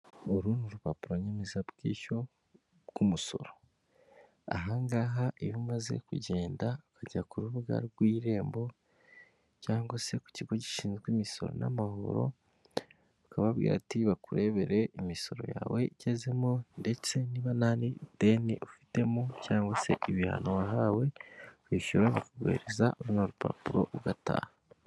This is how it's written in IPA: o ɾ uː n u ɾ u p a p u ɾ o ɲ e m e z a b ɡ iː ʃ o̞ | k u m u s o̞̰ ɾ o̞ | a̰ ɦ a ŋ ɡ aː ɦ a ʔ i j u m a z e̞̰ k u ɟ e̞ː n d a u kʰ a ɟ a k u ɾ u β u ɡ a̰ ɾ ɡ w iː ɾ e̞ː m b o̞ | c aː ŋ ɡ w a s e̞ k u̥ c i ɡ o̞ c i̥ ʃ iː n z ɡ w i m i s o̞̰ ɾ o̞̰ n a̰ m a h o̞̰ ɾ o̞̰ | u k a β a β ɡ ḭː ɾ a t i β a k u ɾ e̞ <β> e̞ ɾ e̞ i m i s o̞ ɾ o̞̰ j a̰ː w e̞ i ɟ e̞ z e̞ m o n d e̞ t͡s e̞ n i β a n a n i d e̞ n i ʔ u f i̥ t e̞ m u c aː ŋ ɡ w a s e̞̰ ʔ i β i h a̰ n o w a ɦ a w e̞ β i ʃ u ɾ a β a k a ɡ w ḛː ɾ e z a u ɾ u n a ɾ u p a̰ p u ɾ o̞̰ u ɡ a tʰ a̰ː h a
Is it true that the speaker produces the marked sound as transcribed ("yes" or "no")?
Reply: yes